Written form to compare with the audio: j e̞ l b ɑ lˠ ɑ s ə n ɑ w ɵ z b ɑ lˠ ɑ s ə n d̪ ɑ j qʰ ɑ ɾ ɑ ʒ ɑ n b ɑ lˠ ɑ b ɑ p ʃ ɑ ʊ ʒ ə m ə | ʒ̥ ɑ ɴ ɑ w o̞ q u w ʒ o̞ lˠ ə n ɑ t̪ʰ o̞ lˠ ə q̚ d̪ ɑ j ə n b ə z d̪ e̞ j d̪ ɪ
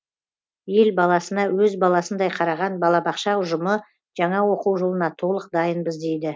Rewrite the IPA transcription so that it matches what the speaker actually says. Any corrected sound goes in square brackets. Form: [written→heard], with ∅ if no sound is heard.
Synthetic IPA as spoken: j e̞ l b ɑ lˠ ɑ s ə n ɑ w ɵ z b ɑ lˠ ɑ s ə n d̪ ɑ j qʰ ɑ ɾ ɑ [ʒ→ʁ] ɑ n b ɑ lˠ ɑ b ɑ [p→q] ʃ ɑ ʊ ʒ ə m ə | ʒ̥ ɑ ɴ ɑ w o̞ q u w ʒ o̞ lˠ ə n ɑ t̪ʰ o̞ lˠ ə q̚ d̪ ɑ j ə n b ə z d̪ e̞ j d̪ ɪ